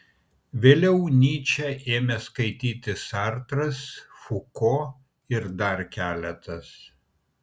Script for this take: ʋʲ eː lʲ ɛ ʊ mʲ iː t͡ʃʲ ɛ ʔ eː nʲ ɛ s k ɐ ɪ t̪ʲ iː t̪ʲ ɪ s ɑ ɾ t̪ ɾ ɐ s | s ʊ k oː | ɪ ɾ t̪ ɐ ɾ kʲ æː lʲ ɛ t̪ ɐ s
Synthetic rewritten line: ʋʲ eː lʲ ɛ ʊ nʲ iː t͡ʃʲ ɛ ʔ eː mʲ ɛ s k ɐ ɪ t̪ʲ iː t̪ʲ ɪ s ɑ ɾ t̪ ɾ ɐ s | f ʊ k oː | ɪ ɾ d̪ ɐ ɾ kʲ æː lʲ ɛ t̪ ɐ s